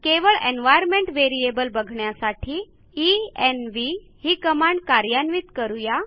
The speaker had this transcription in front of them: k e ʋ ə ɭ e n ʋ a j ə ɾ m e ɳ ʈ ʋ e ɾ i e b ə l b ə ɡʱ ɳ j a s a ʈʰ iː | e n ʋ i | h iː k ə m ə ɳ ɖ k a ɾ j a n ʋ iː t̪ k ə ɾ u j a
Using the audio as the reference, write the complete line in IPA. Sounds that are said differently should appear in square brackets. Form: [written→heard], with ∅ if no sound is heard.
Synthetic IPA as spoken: k e ʋ ə ɭ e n ʋ a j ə ɾ m e ɳ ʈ ʋ e ɾ i e b ə l b ə ɡʱ ɳ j a s a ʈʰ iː | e n ʋ i | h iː k ə m [ə→a] ɳ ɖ k a ɾ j a n ʋ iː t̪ k ə ɾ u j a